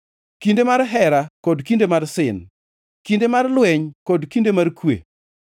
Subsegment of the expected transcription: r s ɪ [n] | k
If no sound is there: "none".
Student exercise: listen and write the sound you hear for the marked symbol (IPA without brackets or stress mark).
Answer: n